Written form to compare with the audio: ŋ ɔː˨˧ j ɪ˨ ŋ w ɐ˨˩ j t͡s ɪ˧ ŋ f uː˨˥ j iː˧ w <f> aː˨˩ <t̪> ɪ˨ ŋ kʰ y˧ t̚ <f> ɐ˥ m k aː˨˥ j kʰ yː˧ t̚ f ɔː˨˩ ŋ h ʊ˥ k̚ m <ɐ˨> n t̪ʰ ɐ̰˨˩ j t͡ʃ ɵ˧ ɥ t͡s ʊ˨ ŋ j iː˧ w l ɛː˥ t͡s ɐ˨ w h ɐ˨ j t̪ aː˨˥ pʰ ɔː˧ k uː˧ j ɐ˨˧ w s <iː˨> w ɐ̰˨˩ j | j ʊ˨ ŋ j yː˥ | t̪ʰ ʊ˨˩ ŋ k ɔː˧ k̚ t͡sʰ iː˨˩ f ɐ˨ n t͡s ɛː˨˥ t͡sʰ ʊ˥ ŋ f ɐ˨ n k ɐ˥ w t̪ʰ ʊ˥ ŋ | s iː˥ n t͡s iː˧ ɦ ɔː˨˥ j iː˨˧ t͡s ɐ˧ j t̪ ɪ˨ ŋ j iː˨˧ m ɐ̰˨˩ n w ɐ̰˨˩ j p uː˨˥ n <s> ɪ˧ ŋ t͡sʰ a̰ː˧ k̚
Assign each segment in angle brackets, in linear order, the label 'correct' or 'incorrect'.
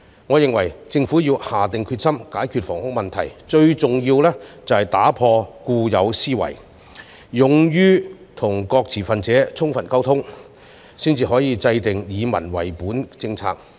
incorrect, correct, incorrect, correct, incorrect, incorrect

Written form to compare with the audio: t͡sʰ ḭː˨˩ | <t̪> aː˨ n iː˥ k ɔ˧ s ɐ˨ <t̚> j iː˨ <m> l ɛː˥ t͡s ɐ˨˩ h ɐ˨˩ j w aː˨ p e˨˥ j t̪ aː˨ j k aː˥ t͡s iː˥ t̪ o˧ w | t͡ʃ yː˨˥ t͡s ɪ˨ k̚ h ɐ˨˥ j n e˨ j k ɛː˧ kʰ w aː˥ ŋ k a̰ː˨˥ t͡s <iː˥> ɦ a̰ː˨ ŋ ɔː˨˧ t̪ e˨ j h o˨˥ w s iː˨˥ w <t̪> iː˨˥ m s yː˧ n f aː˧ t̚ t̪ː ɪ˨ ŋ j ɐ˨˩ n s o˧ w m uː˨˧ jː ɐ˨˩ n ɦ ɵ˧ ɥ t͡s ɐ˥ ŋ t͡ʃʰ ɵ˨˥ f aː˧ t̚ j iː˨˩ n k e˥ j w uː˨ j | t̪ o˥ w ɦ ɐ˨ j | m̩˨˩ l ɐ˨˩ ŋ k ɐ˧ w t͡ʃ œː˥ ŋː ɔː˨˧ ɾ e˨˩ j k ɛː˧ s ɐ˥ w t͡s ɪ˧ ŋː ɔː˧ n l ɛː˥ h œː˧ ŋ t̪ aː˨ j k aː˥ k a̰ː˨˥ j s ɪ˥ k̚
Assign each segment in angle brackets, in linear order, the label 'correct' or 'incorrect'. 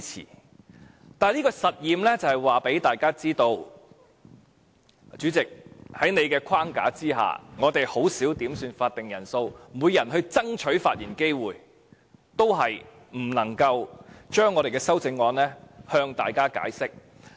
correct, correct, correct, correct, correct

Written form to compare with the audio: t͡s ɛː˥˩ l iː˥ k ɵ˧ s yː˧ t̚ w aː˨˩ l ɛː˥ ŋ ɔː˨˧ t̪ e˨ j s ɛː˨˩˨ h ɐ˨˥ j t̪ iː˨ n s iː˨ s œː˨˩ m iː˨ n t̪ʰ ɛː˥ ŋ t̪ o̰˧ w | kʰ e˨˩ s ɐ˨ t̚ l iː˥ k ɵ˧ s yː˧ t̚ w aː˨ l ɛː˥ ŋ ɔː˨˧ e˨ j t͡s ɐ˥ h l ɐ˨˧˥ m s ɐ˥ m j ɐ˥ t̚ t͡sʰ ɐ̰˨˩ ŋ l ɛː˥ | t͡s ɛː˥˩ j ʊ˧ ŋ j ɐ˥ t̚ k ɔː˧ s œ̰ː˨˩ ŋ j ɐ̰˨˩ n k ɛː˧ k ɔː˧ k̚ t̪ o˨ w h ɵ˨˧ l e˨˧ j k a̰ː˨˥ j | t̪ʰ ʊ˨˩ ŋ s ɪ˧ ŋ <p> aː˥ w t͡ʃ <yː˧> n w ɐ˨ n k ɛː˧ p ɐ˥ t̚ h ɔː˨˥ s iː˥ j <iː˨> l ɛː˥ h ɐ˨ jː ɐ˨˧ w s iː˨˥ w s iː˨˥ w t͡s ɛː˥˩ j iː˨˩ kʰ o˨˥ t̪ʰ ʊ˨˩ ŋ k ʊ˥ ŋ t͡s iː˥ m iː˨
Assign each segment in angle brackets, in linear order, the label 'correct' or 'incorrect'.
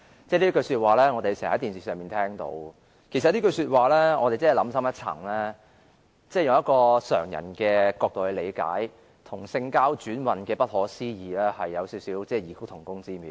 incorrect, incorrect, correct

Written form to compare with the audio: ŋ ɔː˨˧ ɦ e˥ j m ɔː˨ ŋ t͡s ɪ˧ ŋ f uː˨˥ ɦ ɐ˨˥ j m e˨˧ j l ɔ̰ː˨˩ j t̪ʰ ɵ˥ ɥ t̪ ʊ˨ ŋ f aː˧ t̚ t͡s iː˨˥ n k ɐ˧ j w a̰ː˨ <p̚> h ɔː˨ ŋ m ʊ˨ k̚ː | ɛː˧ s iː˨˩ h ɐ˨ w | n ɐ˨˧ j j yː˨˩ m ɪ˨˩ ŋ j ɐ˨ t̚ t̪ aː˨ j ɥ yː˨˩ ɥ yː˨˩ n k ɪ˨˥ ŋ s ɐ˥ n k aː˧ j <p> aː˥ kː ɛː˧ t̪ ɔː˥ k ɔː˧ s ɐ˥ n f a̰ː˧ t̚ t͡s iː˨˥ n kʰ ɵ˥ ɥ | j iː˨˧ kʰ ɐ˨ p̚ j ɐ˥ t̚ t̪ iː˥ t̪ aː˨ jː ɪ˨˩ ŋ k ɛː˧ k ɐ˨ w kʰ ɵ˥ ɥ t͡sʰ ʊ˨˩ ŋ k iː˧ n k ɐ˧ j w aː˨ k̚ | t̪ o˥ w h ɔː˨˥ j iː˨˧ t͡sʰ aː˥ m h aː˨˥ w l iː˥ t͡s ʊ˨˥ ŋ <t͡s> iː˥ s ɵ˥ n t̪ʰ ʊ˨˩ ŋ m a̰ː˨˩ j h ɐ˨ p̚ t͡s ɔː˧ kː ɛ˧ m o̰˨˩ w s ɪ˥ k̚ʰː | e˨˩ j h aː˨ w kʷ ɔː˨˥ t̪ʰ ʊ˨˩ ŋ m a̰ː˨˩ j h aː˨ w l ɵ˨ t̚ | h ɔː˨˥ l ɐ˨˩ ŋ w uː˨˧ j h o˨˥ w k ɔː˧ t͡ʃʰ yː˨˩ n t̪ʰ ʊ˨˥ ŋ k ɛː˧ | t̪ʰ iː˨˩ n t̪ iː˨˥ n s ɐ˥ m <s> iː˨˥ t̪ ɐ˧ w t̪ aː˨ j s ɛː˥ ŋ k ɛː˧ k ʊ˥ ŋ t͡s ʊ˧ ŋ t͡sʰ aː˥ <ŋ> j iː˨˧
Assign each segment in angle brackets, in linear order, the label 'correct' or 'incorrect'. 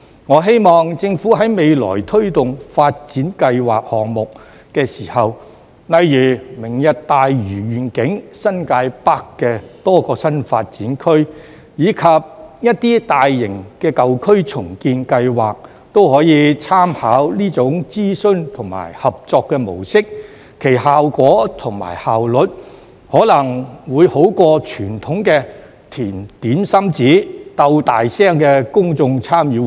incorrect, correct, correct, incorrect, incorrect

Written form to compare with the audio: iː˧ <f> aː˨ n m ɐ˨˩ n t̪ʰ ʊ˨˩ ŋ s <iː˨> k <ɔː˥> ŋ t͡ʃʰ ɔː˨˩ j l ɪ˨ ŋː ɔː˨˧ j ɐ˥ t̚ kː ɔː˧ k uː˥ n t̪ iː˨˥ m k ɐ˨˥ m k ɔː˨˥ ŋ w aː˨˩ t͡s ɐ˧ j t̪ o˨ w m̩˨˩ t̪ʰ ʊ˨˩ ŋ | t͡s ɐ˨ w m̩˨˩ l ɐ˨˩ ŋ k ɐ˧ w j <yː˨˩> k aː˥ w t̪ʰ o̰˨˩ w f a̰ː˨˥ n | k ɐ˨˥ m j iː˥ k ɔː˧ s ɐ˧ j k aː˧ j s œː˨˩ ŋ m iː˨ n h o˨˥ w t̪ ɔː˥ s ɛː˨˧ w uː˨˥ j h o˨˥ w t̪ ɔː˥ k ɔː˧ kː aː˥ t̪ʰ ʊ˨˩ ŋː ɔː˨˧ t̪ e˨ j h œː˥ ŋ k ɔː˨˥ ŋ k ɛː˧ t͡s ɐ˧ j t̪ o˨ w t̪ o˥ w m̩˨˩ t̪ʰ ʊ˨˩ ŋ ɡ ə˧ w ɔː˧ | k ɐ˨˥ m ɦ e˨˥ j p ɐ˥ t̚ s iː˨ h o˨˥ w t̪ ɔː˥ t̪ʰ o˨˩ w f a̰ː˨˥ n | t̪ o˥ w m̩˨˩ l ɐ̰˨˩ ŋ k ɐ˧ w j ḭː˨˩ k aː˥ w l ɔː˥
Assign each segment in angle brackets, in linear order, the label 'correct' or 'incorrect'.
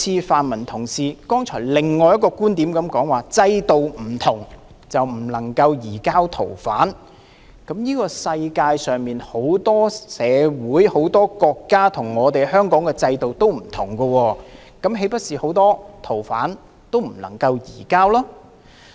correct, correct, correct, incorrect

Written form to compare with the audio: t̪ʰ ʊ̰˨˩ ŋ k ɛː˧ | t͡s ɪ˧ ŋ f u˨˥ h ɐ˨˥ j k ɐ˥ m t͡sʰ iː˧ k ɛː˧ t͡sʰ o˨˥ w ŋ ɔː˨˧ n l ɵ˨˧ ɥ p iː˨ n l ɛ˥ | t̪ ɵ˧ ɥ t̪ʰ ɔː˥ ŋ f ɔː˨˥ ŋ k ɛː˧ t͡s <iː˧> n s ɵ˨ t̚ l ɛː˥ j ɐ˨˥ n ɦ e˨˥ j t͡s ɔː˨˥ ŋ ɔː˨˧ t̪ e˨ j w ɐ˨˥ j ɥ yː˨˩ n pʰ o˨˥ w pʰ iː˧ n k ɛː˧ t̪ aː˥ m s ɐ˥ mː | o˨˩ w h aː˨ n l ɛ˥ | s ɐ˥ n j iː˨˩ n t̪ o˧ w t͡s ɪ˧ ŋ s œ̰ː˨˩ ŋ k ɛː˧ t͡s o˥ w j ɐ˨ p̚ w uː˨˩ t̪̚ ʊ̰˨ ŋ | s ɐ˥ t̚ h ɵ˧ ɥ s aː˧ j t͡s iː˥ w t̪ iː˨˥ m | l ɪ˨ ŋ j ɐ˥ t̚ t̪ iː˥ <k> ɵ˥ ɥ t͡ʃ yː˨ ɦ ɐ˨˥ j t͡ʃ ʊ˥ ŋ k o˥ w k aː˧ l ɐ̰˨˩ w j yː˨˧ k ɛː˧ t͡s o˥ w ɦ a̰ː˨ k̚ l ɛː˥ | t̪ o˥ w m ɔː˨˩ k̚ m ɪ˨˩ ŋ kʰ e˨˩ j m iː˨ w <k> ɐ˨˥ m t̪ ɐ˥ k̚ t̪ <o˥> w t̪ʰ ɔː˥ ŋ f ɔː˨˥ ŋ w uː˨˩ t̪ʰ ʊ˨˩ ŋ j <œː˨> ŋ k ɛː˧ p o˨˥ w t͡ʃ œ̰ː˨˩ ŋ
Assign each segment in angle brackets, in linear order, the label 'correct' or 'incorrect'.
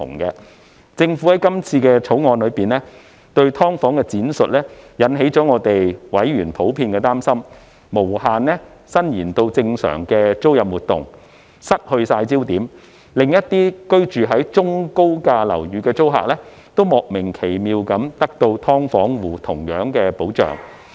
incorrect, correct, correct, incorrect, incorrect

